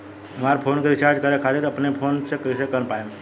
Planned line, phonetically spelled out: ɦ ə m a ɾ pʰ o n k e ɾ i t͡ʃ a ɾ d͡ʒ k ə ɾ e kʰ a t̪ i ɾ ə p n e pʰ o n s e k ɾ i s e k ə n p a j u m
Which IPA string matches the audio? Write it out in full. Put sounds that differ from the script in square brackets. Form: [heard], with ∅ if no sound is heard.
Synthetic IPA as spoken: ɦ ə m a ɾ pʰ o n k e ɾ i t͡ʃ a ɾ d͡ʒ k ə ɾ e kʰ a t̪ i ɾ ə p n e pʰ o n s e k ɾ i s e k ə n p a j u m